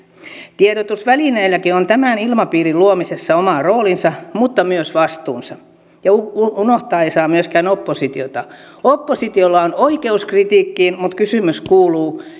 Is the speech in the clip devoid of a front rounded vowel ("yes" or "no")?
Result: no